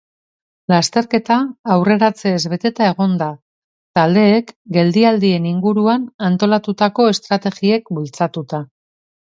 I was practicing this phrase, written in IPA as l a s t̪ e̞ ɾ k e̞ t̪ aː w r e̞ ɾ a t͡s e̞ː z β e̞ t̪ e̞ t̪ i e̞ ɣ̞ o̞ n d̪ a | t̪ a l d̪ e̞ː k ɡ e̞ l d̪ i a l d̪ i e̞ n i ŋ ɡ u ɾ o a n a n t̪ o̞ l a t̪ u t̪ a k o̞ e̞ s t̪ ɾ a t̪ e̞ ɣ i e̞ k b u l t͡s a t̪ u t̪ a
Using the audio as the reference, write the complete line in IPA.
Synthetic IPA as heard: l a s t̪ e̞ ɾ k e̞ t̪ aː w r e̞ ɾ a t͡s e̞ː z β e̞ t̪ e̞ t̪ a e̞ ɣ̞ o̞ n d̪ a | t̪ a l d̪ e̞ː k ɡ e̞ l d̪ i a l d̪ i e̞ n i ŋ ɡ u ɾ u a n a n t̪ o̞ l a t̪ u t̪ a k o̞ e̞ s t̪ ɾ a t̪ e̞ ɣ i e̞ k b u l t͡s a t̪ u t̪ a